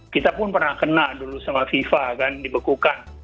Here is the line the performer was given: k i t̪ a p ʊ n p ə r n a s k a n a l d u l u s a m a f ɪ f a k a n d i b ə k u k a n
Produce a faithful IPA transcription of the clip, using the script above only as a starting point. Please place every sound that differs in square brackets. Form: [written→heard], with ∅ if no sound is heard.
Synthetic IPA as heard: k i t̪ a p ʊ n p ə r n a [s→h] k [a→ə] n a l d u l u s a m a f [ɪ→i] f a k a n d i b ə k u k a n